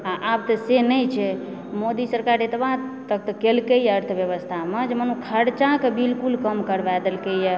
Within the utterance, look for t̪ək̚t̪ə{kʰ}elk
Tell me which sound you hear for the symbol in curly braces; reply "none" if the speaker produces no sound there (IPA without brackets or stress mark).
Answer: k